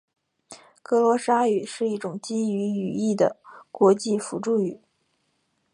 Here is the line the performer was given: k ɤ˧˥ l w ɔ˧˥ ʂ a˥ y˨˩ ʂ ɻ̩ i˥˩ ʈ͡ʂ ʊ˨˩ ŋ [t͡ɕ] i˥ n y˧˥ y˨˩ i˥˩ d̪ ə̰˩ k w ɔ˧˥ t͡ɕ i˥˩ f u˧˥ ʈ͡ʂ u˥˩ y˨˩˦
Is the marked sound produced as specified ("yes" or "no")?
yes